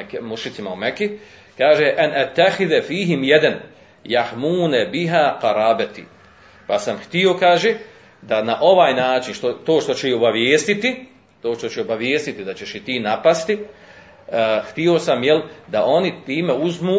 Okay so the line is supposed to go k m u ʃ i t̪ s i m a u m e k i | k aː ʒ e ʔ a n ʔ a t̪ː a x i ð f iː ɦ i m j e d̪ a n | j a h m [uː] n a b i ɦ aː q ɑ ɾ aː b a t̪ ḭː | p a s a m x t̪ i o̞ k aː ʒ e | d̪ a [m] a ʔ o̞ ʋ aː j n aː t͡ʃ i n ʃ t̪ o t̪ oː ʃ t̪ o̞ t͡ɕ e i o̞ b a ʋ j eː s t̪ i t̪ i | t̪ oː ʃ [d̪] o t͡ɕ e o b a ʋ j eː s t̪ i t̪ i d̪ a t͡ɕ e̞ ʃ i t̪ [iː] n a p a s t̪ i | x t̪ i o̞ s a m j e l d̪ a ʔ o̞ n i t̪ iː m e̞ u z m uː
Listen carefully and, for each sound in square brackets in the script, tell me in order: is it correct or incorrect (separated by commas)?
correct, incorrect, incorrect, correct